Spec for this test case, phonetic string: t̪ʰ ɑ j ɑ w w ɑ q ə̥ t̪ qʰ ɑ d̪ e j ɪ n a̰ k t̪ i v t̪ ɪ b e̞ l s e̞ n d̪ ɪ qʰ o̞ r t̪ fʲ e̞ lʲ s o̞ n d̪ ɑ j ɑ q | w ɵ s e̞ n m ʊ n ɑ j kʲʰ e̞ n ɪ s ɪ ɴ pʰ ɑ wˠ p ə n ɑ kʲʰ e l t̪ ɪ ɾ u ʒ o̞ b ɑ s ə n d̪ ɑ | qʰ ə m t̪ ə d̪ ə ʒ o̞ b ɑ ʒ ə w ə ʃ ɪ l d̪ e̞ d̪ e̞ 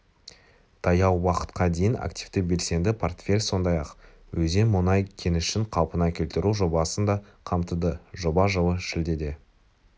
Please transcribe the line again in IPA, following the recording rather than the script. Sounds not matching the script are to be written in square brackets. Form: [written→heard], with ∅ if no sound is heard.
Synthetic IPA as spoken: t̪ʰ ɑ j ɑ w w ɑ q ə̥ t̪ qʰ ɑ d̪ e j ɪ n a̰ k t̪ i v t̪ ɪ b e̞ l s e̞ n d̪ ɪ [qʰ→pʰ] o̞ r t̪ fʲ e̞ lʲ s o̞ n d̪ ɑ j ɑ q | w ɵ [s→z] e̞ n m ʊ n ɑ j kʲʰ e̞ n ɪ [s→ʃ] ɪ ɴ [pʰ→qʰ] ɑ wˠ p ə n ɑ kʲʰ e l t̪ ɪ ɾ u ʒ o̞ b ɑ s ə n d̪ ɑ | qʰ [ə→ɑ] m t̪ ə d̪ ə ʒ o̞ b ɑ ʒ ə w ə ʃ ɪ l d̪ e̞ d̪ e̞